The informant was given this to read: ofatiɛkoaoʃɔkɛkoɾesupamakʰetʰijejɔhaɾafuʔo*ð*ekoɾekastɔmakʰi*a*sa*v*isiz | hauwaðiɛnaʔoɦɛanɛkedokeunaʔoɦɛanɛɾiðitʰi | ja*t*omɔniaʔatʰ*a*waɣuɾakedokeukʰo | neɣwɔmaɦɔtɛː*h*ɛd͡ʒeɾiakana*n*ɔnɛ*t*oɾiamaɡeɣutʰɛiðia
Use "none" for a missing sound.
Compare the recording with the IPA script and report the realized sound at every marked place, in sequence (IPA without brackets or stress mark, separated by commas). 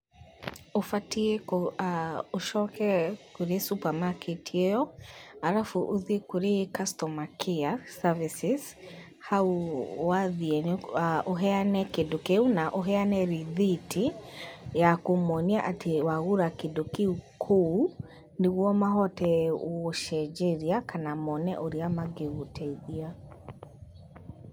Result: ð, a, v, k, e, ʃ, m, ʔ